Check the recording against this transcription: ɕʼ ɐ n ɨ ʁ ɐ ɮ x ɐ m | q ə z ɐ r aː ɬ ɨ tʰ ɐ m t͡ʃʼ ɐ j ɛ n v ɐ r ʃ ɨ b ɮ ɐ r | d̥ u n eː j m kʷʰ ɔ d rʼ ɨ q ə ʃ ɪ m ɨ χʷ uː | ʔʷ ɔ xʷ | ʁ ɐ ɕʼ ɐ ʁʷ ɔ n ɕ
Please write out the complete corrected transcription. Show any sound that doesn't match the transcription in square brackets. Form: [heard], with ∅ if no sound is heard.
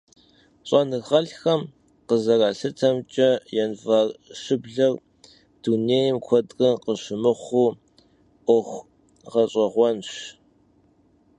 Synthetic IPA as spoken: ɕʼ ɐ n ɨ ʁ ɐ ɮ x ɐ m | q ə z ɐ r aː ɬ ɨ tʰ ɐ m t͡ʃʼ ɐ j ɛ n v ɐ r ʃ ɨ b ɮ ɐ r | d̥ u n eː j m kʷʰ ɔ d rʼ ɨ q ə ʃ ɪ m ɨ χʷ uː | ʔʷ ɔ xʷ | ʁ ɐ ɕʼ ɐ ʁʷ ɔ n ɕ